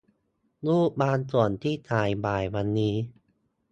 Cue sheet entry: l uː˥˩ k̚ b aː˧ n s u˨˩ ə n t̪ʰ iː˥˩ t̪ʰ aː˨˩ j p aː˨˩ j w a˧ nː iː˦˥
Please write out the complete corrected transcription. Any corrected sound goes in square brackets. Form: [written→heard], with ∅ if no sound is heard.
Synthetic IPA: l uː˥˩ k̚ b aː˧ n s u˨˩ ə n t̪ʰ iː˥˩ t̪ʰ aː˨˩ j [p→b] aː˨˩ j w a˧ nː iː˦˥